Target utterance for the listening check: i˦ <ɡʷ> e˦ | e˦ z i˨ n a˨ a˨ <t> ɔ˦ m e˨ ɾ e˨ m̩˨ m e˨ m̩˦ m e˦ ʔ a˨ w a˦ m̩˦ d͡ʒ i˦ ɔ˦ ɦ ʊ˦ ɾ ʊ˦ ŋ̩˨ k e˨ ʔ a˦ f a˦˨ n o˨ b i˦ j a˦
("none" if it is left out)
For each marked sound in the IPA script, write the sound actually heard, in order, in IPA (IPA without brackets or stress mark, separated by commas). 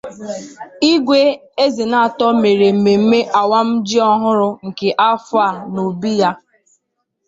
ɡʷ, t